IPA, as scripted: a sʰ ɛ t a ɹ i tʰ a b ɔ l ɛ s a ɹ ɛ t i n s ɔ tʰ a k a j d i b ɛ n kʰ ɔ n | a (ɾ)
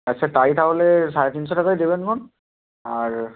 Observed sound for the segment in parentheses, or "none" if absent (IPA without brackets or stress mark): ɹ